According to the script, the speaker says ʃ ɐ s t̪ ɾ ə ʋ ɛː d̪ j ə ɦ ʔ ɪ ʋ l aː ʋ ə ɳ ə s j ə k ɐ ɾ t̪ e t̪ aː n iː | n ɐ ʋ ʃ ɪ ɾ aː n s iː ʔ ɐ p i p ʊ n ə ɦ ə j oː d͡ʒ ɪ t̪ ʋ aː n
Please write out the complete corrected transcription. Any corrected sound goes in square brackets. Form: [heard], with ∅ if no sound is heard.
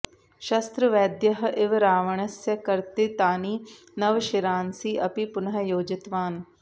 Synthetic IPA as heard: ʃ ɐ s t̪ ɾ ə ʋ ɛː d̪ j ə ɦ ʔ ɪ ʋ [ɾ] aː ʋ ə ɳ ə s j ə k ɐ ɾ t̪ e t̪ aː n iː | n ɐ ʋ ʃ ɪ ɾ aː n s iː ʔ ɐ p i p ʊ n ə ɦ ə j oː d͡ʒ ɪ t̪ ʋ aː n